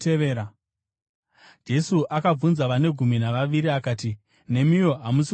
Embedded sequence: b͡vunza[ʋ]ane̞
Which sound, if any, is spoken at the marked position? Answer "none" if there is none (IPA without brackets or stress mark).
ʋ